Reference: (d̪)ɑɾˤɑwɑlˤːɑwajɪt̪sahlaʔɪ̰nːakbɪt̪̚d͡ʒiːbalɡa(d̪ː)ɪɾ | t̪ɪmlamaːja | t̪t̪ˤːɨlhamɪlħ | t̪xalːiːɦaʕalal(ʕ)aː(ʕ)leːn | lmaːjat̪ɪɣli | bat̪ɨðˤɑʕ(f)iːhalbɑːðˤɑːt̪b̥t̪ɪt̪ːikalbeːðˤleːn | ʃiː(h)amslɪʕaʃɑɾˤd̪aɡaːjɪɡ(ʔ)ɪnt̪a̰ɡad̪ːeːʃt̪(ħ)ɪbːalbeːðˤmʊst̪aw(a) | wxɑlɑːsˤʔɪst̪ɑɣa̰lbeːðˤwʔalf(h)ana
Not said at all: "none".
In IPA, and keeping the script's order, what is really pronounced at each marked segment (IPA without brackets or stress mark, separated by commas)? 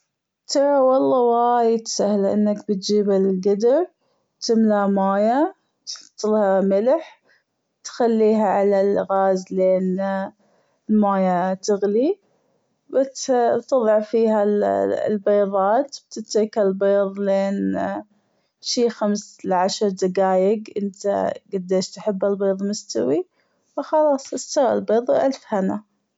t̪, d̪, ɣ, z, f, x, ʔ, ħ, i, h